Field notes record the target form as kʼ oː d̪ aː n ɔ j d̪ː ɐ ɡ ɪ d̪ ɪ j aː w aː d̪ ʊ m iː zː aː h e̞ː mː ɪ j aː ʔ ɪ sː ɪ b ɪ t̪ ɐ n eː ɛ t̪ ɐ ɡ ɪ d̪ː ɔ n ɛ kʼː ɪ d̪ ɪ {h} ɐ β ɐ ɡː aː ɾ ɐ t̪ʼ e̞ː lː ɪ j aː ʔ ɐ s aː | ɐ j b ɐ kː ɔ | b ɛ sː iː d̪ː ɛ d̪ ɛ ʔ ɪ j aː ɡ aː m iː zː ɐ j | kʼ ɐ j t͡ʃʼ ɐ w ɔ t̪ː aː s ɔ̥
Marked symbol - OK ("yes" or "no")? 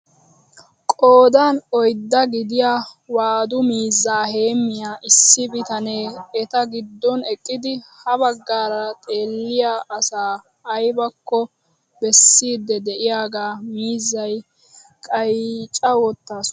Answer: yes